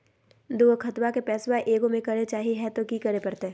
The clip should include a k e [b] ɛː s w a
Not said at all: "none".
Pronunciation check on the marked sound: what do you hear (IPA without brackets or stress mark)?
p